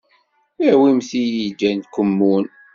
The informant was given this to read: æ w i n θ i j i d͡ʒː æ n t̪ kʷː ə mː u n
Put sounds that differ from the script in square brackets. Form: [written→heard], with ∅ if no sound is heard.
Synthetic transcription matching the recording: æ w i [n→m] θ i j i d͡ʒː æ n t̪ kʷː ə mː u n